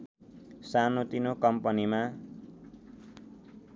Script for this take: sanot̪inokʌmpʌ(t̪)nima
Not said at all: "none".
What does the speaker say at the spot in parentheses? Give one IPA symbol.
none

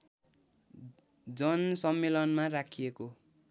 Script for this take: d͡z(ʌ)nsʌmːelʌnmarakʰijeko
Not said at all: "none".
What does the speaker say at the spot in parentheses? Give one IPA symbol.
ʌ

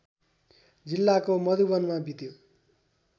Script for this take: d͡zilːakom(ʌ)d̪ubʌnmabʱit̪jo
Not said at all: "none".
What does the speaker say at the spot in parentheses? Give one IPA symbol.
ʌ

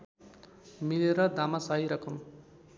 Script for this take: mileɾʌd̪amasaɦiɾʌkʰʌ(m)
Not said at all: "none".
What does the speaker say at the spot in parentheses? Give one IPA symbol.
m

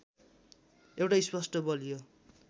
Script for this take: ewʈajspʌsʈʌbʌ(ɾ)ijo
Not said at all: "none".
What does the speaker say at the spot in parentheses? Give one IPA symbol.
l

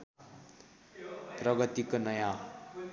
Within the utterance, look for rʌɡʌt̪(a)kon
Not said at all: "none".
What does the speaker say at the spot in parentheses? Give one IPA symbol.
i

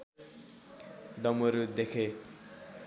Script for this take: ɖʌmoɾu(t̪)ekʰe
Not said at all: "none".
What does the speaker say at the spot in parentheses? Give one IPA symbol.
d̪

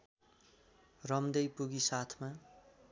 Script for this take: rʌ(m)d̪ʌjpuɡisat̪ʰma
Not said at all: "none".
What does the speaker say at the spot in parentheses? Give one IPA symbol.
m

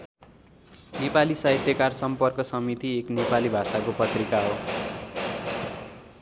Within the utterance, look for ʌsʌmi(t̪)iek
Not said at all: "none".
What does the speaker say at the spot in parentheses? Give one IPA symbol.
t̪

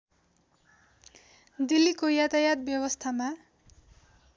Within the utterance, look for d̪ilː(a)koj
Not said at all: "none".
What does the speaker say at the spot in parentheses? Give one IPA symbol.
i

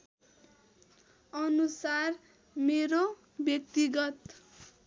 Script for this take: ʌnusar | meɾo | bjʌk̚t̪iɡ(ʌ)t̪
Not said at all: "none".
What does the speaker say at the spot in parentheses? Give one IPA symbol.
ʌ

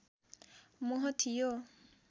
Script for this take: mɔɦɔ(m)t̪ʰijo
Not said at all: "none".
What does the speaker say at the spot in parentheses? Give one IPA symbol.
none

